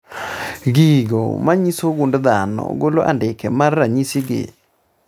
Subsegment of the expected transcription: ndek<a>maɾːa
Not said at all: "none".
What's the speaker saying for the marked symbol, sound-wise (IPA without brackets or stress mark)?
ɛ